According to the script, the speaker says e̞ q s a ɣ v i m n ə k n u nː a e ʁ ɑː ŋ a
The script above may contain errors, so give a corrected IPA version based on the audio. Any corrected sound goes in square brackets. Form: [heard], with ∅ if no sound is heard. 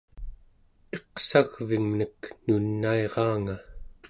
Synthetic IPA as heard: e̞ q s a ɣ v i [ŋ] n ə k n u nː a e ʁ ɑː ŋ a